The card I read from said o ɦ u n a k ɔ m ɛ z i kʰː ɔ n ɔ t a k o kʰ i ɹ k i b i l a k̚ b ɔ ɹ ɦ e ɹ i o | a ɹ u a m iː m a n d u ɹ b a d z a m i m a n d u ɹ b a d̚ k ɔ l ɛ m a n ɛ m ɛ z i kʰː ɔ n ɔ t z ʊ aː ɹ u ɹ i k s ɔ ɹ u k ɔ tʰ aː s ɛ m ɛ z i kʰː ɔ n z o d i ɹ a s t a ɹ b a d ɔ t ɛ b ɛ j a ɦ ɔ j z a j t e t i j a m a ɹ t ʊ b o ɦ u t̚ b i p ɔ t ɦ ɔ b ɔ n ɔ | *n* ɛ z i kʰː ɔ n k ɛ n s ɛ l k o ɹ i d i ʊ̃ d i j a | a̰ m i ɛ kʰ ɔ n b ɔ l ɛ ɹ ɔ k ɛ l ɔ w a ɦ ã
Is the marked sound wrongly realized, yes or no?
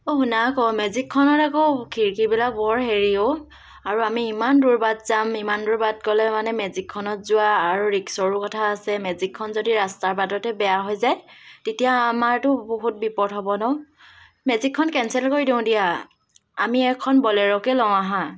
yes